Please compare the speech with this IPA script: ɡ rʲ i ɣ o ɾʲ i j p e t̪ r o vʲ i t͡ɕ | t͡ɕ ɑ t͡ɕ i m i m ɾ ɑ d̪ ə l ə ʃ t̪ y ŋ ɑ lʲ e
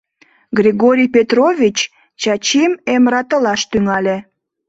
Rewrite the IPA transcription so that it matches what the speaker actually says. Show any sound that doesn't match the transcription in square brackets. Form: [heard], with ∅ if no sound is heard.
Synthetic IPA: ɡ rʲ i ɣ o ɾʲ i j p e t̪ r o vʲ i t͡ɕ | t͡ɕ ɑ t͡ɕ i m [e] m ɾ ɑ [t̪] ə l [ɑ] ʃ t̪ y ŋ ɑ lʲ e